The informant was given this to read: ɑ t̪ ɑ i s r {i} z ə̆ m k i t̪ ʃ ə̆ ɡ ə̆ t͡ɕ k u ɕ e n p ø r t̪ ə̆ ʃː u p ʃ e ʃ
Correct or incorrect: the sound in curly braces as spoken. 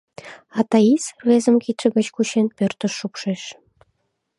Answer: incorrect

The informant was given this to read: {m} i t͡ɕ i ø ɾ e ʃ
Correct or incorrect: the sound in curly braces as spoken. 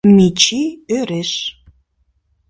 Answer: correct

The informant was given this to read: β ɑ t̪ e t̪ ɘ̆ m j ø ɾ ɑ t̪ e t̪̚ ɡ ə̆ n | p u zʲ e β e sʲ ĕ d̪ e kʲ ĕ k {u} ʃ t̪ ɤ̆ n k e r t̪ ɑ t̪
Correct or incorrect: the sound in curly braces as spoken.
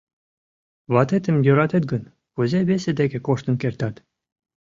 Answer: incorrect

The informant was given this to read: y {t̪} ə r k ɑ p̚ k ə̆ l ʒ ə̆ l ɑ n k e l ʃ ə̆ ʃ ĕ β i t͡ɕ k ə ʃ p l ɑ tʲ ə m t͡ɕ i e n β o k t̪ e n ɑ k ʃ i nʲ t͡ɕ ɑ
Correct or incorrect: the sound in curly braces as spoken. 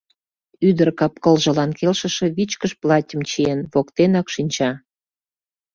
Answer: incorrect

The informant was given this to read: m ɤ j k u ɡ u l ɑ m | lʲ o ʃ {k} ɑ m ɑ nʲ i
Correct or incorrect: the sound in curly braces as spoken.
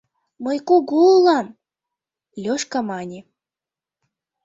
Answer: correct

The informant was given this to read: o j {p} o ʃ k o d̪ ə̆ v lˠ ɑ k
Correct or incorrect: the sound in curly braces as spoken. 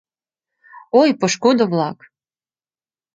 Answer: correct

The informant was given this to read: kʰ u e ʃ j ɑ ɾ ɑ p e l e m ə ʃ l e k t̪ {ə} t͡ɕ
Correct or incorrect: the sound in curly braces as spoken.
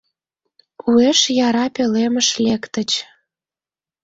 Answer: correct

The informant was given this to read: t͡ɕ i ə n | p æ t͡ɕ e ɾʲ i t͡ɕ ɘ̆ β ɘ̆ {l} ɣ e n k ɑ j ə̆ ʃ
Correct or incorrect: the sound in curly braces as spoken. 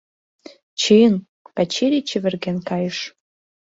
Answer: incorrect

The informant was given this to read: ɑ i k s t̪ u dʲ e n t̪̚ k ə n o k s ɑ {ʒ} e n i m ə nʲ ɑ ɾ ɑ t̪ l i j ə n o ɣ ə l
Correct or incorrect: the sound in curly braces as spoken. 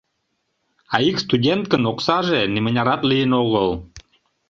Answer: correct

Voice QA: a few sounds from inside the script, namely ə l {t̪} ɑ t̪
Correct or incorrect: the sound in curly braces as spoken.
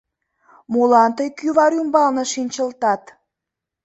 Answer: correct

